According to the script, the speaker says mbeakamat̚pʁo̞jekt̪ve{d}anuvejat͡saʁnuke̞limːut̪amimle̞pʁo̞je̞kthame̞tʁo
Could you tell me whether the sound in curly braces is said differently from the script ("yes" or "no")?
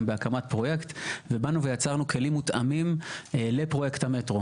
yes